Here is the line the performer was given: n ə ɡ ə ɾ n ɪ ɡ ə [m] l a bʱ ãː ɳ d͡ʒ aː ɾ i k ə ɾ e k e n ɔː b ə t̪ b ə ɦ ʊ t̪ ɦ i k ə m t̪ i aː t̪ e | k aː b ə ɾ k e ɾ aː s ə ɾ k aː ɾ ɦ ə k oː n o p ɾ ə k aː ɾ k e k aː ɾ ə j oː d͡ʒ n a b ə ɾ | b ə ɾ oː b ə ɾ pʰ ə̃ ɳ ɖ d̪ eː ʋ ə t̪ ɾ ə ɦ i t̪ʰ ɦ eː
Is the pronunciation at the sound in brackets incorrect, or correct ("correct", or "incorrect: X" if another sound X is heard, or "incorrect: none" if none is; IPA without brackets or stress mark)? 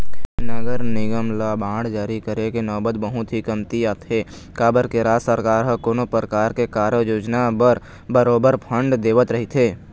correct